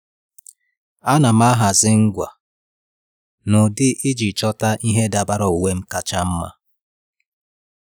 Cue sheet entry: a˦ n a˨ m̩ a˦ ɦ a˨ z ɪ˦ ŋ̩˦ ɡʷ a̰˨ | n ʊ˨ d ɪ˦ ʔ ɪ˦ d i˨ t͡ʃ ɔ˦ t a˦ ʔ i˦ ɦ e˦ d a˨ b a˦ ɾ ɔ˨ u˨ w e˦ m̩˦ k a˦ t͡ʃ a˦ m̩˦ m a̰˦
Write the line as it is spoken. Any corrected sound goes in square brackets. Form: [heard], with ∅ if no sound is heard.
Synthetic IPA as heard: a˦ n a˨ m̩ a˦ ɦ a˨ z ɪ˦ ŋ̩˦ ɡʷ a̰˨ | n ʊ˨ d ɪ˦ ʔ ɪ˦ [d͡ʒ] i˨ t͡ʃ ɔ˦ t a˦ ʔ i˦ ɦ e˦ d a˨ b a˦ ɾ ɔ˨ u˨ w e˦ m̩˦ k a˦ t͡ʃ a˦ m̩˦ m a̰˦